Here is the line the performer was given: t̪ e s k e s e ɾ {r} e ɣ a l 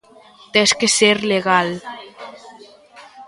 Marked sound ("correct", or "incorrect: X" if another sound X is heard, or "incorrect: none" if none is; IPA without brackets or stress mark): incorrect: l